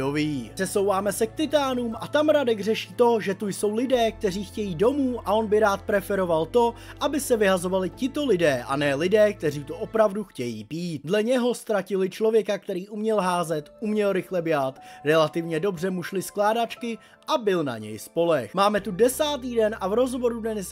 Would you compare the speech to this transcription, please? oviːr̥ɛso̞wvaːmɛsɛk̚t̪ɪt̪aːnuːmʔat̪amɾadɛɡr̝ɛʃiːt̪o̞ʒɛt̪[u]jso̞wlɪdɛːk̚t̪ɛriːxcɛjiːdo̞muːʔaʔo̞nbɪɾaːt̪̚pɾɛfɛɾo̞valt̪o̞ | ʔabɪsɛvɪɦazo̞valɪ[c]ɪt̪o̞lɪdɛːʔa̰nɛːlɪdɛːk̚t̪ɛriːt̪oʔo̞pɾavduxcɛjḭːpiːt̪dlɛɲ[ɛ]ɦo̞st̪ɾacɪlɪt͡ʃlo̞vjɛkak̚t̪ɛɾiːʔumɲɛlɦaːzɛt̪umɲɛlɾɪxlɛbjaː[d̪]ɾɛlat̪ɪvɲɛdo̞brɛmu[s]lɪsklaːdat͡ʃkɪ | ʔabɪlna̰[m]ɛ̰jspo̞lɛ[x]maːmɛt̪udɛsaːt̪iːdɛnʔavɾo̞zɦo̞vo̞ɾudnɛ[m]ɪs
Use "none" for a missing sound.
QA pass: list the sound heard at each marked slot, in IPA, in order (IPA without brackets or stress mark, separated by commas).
u, c, ɛ, t̪, ʃ, ɲ, x, n